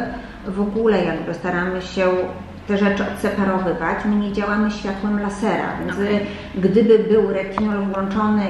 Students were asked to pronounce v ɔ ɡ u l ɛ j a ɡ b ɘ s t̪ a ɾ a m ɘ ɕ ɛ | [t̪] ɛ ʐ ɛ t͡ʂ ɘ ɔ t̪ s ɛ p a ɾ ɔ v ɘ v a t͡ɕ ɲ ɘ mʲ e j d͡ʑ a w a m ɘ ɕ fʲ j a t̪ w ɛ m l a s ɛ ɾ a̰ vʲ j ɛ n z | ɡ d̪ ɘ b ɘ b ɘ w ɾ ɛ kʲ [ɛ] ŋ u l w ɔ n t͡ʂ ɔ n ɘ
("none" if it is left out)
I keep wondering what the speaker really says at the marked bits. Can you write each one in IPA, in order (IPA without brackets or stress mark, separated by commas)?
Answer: t̪, i